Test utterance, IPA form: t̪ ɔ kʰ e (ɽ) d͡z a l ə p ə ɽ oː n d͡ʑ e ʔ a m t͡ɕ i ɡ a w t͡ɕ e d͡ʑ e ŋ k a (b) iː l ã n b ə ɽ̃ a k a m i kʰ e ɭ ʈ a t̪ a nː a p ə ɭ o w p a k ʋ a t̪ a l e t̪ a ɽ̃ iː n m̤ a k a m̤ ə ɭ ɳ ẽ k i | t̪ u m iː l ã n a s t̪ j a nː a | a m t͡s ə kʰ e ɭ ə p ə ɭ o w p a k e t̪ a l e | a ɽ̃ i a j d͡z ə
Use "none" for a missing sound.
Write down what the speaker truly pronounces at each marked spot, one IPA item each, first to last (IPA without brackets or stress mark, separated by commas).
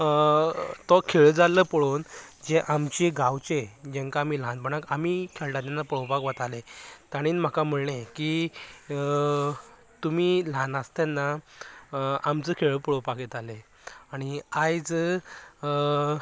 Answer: ɭ, m